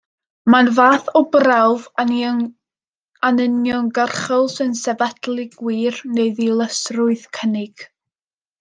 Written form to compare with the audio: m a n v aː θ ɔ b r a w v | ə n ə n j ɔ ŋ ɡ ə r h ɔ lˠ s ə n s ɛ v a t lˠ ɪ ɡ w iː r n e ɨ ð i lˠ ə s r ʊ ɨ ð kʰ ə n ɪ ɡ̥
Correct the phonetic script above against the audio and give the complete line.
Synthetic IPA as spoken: m a n v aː θ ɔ b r a w v | a n ə n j ɔ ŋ ɡ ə r χ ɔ lˠ s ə n s ɛ v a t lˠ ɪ ɡ w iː r n e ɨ ð i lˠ ə s r ʊ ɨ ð kʰ ə n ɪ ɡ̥